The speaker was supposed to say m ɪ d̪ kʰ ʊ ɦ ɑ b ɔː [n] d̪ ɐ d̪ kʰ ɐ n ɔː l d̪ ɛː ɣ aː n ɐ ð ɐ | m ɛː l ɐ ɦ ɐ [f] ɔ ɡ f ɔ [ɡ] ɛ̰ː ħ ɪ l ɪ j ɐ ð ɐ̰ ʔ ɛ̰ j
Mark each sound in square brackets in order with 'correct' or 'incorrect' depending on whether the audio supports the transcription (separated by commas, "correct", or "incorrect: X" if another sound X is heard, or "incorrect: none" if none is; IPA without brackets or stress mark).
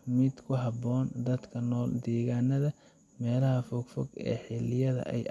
correct, correct, correct